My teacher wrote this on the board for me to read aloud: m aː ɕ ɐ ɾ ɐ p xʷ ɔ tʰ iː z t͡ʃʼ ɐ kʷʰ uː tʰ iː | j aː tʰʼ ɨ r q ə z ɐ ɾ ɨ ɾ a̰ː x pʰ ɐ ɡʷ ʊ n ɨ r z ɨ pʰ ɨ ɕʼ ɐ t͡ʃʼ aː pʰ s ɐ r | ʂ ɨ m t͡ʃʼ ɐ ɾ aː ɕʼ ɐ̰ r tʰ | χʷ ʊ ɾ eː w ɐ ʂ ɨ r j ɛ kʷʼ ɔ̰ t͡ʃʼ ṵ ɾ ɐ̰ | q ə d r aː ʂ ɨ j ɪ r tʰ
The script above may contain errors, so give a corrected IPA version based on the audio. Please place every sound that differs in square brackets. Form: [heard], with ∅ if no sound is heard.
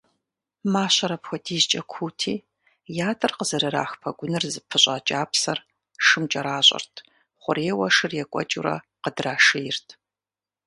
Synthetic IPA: m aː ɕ ɐ ɾ ɐ p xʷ ɔ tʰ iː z t͡ʃʼ ɐ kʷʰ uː tʰ iː | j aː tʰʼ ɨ r q ə z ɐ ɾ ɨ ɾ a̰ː x pʰ ɐ ɡʷ ʊ n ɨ r z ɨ pʰ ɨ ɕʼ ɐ t͡ʃʼ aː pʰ s ɐ r | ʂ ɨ m t͡ʃʼ ɐ ɾ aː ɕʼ ɐ̰ r tʰ | χʷ ʊ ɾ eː w ɐ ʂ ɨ r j ɛ kʷʼ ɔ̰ t͡ʃʼ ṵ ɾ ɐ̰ | q ə d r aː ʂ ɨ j ɪ r tʰ